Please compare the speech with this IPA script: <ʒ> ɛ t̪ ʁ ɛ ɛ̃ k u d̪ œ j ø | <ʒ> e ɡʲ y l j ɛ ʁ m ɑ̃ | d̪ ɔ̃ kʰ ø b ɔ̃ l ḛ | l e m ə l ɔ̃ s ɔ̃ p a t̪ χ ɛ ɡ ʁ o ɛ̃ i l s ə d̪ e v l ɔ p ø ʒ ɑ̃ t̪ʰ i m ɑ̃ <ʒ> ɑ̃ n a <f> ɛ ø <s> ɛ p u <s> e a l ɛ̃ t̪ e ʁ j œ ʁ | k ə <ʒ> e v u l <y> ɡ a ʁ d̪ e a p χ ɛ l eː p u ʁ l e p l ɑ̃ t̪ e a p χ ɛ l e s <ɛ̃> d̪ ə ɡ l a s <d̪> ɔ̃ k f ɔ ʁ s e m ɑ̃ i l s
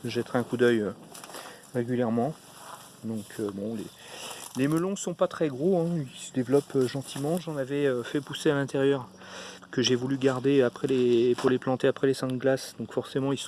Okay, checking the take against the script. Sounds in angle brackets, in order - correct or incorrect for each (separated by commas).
correct, incorrect, correct, incorrect, incorrect, correct, correct, correct, correct, correct